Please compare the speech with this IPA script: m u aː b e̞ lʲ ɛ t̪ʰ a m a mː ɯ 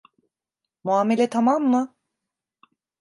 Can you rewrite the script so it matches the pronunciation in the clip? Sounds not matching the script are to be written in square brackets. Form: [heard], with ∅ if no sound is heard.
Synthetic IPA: m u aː [m] e̞ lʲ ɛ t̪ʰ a m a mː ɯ

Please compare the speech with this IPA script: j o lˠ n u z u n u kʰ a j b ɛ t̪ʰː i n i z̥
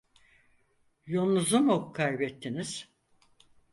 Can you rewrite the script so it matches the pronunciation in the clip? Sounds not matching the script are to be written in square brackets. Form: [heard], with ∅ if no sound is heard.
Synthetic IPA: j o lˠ n u z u [m] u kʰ a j b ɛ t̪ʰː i n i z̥

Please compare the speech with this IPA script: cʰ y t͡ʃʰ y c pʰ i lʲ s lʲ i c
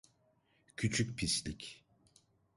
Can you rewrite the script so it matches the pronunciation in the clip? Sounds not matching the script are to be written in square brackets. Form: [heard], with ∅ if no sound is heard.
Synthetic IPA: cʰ y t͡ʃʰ y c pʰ i [∅] s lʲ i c

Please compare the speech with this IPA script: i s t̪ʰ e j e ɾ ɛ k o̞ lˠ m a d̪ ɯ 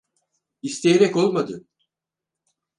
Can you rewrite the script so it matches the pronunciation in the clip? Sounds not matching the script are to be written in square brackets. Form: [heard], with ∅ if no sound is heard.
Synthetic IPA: i s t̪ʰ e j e ɾ ɛ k o̞ lˠ m a d̪ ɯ

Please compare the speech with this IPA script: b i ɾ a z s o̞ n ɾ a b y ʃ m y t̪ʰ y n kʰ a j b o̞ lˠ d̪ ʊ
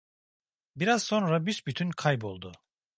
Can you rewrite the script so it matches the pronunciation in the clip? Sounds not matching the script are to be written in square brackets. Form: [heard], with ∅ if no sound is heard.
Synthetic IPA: b i ɾ a z s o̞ n ɾ a b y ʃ [b] y t̪ʰ y n kʰ a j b o̞ lˠ d̪ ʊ

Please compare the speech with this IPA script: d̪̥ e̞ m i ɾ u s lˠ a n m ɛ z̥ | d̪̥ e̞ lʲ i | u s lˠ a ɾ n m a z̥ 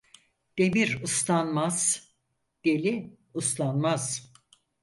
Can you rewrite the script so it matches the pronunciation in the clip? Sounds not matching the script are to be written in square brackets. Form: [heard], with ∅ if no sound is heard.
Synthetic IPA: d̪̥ e̞ m i ɾ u s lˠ a n m [a] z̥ | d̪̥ e̞ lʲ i | u s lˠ a [∅] n m a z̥

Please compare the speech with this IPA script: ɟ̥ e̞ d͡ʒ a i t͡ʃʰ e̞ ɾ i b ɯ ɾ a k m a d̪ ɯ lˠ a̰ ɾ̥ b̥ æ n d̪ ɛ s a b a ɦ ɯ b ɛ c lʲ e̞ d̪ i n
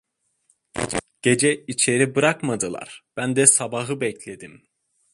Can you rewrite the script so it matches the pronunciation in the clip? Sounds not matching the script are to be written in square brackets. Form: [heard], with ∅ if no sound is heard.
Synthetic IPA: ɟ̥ e̞ d͡ʒ [ɛ] i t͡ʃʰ e̞ ɾ i b ɯ ɾ a k m a d̪ ɯ lˠ a̰ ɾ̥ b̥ æ n d̪ ɛ s a b a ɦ ɯ b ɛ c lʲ e̞ d̪ i [m]

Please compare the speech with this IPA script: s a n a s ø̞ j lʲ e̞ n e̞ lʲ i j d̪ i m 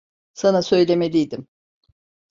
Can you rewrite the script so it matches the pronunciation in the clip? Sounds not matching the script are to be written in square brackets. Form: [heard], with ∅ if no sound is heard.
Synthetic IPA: s a n a s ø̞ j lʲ e̞ [m] e̞ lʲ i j d̪ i m

